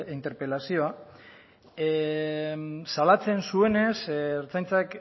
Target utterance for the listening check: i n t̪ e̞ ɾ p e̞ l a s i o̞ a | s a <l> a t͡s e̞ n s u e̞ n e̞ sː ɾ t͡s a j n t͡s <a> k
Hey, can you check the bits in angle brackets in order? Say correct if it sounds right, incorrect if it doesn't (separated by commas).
correct, correct